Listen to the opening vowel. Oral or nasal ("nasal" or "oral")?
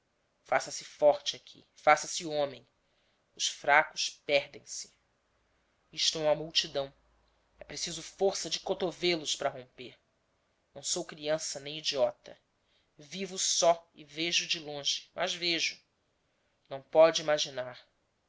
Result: oral